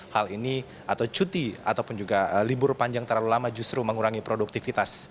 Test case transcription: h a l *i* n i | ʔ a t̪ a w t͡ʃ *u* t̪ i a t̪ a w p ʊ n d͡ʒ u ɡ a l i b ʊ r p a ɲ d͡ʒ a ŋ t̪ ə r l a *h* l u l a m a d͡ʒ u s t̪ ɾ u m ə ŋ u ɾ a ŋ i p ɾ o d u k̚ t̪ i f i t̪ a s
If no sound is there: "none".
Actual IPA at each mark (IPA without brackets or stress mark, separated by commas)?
i, u, none